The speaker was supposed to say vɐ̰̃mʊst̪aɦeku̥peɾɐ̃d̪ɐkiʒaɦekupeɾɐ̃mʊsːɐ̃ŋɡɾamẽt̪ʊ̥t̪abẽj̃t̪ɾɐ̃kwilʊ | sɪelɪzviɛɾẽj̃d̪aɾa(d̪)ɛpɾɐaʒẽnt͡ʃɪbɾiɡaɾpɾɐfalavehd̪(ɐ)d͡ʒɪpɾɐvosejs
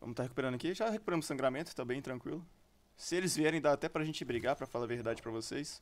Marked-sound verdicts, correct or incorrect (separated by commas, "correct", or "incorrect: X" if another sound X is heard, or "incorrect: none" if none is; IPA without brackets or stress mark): incorrect: t̪, incorrect: a